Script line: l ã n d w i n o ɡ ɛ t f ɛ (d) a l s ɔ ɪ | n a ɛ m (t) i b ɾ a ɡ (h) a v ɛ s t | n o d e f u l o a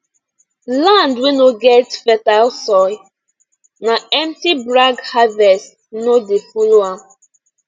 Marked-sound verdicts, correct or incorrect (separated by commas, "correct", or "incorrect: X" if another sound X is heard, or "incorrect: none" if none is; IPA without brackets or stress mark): incorrect: t, correct, correct